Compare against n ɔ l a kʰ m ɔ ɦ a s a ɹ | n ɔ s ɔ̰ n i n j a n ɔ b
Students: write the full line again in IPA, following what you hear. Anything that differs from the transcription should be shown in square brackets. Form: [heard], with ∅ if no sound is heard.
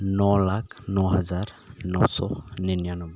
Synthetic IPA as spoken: n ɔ l a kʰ [n] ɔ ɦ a [z] a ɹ | n ɔ s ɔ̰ n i n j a n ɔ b